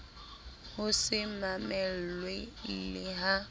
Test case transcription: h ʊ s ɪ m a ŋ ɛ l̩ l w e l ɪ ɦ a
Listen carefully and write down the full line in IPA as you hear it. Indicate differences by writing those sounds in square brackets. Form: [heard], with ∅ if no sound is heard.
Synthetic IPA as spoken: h ʊ s ɪ m a [m] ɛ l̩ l w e l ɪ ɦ a